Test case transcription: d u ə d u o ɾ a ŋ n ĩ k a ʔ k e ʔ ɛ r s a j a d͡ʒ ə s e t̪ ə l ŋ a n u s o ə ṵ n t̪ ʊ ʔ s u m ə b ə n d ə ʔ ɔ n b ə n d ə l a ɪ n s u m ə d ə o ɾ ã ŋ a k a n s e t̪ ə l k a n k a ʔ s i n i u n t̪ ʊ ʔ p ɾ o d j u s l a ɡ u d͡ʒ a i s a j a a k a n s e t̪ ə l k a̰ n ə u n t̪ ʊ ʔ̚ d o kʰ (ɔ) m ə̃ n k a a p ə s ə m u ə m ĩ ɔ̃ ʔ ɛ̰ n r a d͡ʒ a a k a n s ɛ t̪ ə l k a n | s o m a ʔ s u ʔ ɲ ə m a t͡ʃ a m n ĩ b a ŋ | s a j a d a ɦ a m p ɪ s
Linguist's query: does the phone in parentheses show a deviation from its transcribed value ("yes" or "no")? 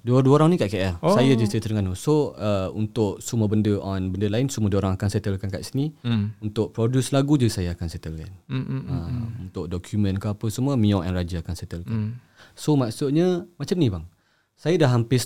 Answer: yes